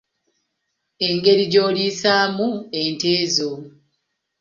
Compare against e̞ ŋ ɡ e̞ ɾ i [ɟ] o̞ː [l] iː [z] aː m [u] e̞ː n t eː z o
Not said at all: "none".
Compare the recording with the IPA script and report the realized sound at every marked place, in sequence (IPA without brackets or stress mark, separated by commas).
ɟ, l, s, u